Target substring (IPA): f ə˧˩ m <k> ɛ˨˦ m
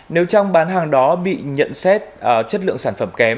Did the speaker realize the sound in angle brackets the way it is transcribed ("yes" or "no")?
yes